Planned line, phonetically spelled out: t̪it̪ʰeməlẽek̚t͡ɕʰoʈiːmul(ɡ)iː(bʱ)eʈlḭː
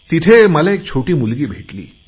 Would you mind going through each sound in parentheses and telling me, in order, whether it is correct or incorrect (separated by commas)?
correct, correct